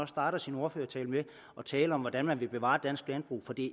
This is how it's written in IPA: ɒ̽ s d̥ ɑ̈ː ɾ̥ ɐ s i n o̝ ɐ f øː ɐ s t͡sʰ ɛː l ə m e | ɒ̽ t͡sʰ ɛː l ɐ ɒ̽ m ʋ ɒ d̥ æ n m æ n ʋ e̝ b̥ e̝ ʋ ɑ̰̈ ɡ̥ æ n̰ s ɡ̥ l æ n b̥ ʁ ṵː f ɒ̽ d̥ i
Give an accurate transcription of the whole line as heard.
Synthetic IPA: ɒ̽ s d̥ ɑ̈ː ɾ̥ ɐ s i n o̝ ɐ f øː ɐ t͡sʰ ɛː l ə m e | ɒ̽ t͡sʰ ɛː l ə ɒ̽ m ʋ ɒ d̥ æ n m æ n ʋ e̝ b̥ e̝ ʋ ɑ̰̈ d̥ æ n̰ s ɡ̥ l æ n b̥ ʁ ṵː f ɒ̽ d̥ i